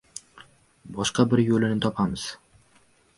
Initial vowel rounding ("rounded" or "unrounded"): rounded